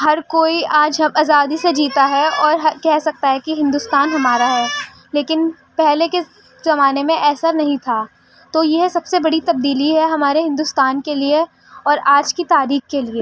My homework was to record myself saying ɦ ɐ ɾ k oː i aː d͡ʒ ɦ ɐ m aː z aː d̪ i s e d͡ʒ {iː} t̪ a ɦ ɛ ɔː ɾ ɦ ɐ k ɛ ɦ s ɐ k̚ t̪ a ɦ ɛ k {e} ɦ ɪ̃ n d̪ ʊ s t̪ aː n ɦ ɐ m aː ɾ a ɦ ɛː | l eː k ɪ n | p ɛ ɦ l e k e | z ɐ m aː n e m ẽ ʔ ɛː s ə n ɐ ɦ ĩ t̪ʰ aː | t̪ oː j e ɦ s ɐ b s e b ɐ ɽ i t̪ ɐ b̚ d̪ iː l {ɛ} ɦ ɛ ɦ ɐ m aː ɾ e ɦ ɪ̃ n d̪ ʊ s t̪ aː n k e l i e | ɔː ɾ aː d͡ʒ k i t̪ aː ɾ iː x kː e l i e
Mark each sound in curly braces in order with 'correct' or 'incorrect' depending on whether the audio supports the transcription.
correct, incorrect: i, incorrect: i

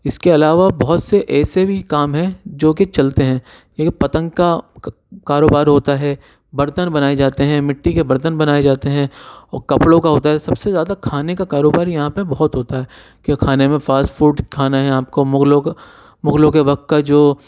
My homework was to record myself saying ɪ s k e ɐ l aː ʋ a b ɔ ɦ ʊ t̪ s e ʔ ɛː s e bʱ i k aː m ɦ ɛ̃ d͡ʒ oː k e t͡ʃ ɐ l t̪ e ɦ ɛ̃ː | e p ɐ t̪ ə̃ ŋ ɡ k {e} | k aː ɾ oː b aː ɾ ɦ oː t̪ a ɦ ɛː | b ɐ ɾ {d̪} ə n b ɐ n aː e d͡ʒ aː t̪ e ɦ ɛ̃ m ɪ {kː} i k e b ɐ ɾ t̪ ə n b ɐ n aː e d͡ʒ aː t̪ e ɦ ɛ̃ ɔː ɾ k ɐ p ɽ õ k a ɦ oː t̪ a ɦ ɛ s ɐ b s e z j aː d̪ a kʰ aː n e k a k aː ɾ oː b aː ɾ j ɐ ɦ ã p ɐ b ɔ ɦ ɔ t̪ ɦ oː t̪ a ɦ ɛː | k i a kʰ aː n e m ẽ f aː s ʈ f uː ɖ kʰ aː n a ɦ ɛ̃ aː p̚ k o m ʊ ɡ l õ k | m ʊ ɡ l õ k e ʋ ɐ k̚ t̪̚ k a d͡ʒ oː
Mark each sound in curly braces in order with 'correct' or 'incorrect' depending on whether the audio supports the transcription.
incorrect: a, incorrect: t̪, incorrect: ʈː

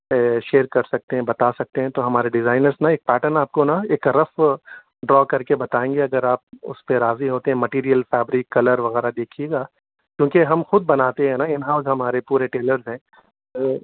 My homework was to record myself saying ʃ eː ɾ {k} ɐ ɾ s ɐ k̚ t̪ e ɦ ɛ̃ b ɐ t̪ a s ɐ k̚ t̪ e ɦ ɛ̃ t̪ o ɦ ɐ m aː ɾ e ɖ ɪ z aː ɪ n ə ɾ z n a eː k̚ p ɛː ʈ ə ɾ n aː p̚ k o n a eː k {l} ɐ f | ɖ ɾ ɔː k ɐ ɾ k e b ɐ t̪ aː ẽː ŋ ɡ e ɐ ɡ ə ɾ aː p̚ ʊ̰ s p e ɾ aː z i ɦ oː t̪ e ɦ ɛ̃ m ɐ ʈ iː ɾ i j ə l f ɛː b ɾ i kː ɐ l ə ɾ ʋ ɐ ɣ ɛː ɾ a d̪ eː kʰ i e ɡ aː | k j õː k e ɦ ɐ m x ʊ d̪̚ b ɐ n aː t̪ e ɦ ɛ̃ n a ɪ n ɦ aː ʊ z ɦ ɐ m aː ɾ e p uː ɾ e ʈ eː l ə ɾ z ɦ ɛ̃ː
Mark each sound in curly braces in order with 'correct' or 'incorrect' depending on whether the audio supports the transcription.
correct, incorrect: ɾ

